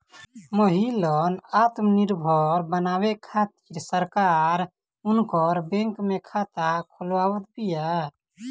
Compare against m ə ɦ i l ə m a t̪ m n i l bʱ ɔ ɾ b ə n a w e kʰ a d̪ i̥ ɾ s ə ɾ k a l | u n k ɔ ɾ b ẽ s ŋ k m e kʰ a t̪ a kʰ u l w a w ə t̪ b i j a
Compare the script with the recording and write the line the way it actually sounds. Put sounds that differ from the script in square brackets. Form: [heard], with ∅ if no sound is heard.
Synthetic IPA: m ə ɦ i l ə [n] a t̪ m n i [ɾ] bʱ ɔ ɾ b ə n a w e kʰ a [t̪] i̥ ɾ s ə ɾ k a [ɾ] | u n k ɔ ɾ b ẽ [∅] ŋ k m e kʰ a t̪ a kʰ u l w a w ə t̪ b i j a